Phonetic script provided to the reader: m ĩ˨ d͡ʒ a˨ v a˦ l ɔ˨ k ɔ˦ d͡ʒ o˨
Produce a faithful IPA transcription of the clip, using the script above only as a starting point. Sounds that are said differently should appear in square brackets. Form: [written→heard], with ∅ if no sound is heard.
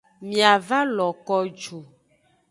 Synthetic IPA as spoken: m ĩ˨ [d͡ʒ→∅] a˨ v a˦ l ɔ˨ k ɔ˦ d͡ʒ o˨